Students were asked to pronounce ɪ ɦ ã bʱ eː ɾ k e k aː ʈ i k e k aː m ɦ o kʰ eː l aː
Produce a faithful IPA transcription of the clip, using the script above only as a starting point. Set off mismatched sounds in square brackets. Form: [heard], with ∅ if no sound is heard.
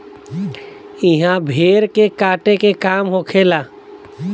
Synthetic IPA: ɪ ɦ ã bʱ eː ɾ k e k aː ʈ [e] k e k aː m ɦ o kʰ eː l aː